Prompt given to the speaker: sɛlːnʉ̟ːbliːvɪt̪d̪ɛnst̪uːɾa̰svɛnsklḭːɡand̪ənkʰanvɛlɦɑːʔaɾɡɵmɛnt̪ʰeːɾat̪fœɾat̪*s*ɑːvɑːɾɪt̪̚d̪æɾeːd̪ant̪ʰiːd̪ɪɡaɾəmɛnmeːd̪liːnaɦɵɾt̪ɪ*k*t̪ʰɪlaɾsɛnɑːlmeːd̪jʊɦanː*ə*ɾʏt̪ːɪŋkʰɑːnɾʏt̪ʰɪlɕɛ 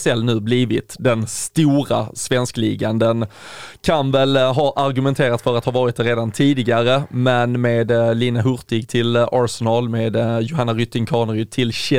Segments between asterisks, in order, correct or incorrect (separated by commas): incorrect, incorrect, incorrect